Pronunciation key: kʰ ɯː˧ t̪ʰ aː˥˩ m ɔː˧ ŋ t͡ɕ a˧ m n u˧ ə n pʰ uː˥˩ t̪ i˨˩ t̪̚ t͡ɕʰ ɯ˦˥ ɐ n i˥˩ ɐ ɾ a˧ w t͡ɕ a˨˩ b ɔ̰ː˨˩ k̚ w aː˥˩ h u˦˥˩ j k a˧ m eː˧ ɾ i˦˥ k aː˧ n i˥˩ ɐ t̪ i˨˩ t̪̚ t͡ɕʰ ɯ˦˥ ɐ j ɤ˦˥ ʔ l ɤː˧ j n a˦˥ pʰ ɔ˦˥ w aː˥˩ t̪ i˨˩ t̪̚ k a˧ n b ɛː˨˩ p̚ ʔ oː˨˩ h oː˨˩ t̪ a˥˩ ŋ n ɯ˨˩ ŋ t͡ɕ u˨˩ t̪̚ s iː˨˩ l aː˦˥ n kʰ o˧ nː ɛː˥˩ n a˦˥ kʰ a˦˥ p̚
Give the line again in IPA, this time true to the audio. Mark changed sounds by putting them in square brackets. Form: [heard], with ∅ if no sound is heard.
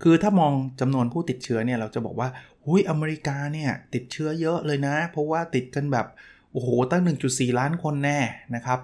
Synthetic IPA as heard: kʰ ɯː˧ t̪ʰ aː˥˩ m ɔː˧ ŋ t͡ɕ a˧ m n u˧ ə n pʰ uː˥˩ t̪ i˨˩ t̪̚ t͡ɕʰ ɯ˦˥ ɐ n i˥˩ ɐ ɾ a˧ w t͡ɕ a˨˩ b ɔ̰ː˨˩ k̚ w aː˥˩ h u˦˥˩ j [ʔ] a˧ m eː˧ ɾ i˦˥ k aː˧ n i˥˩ ɐ t̪ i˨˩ t̪̚ t͡ɕʰ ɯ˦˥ ɐ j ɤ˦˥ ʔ l ɤː˧ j n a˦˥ pʰ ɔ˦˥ w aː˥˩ t̪ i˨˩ t̪̚ k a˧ n b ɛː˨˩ p̚ ʔ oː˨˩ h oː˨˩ t̪ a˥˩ ŋ n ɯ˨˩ ŋ t͡ɕ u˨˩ t̪̚ s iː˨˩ l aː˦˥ n kʰ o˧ nː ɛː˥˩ n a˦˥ kʰ a˦˥ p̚